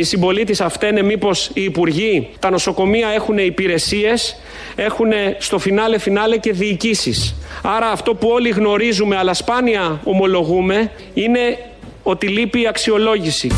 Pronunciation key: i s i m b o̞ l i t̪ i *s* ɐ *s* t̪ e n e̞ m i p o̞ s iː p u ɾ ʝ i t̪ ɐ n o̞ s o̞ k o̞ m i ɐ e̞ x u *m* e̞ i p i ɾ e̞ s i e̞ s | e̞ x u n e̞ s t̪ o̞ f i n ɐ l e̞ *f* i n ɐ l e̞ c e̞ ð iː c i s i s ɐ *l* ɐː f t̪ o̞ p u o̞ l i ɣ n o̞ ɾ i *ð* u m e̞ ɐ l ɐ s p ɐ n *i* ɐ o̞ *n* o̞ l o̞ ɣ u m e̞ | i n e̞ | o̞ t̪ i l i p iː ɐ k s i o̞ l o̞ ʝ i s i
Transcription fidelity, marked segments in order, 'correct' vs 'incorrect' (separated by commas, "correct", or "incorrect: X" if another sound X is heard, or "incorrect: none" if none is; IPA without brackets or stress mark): correct, incorrect: f, incorrect: n, correct, incorrect: ɾ, incorrect: z, correct, incorrect: m